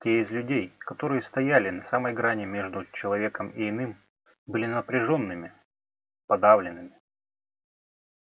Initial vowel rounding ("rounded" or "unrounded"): unrounded